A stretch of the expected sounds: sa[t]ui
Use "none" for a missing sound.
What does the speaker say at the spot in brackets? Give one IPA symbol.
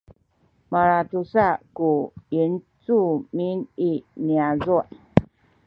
k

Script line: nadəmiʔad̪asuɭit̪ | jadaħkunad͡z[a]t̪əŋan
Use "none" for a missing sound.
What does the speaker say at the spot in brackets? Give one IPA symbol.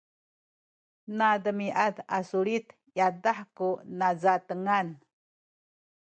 a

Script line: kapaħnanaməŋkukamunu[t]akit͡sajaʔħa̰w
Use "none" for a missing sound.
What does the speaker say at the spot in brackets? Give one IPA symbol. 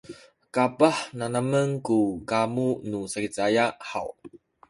s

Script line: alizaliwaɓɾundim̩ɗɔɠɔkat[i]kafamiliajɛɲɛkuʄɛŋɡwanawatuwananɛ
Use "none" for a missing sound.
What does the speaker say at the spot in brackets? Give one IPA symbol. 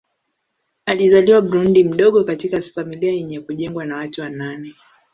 i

